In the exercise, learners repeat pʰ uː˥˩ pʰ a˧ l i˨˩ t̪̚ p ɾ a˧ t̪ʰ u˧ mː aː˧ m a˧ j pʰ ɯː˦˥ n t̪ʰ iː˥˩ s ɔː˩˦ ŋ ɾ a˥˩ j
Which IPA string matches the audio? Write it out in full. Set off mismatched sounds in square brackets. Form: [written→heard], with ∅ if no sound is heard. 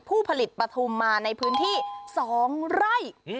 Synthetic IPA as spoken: pʰ uː˥˩ pʰ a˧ l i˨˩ t̪̚ p ɾ a˧ t̪ʰ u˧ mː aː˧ [m→n] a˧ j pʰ ɯː˦˥ n t̪ʰ iː˥˩ s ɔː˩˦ ŋ ɾ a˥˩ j